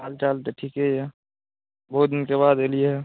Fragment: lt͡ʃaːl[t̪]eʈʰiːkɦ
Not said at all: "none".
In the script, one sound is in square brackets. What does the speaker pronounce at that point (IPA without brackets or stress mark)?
t̪